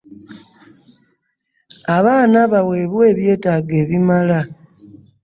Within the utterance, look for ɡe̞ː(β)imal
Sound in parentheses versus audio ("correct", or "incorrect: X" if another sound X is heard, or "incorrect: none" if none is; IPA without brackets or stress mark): correct